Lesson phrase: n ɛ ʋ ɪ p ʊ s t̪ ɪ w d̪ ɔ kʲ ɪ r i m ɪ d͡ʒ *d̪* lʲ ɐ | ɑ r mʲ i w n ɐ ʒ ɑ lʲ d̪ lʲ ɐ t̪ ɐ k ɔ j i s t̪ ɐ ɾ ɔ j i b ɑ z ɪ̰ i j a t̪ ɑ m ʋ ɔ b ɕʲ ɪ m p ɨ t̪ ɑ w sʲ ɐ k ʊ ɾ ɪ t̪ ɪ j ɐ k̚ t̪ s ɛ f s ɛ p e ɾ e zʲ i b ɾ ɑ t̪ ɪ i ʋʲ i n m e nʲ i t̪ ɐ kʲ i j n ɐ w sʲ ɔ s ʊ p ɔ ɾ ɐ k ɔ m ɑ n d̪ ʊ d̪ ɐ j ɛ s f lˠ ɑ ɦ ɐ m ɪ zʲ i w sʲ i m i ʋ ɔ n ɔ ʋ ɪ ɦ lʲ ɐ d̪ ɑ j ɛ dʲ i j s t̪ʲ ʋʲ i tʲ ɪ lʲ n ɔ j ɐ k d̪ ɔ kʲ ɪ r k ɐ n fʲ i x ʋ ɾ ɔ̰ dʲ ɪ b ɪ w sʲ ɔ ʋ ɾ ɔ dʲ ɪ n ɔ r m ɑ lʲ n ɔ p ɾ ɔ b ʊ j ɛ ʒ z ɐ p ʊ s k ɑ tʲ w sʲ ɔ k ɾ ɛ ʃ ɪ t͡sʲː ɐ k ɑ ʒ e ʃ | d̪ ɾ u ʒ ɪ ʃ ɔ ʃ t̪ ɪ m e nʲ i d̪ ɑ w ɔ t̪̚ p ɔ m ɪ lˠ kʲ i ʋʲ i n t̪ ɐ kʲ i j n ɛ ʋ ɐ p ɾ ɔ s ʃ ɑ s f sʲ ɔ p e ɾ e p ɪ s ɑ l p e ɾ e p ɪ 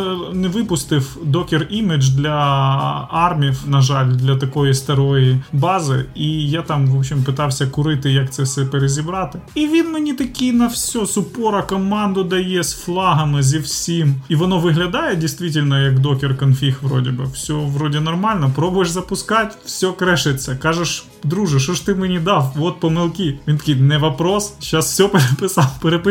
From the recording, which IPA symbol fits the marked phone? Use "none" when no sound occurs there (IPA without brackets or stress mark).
d̪